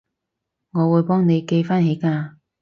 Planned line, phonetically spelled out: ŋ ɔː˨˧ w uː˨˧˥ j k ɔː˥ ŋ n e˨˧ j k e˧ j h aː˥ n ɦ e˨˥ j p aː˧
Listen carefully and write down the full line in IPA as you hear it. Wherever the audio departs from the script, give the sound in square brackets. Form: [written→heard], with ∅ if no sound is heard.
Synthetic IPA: ŋ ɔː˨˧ w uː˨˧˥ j [k→p] ɔː˥ ŋ n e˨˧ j k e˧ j [h→f] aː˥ n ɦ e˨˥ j [p→k] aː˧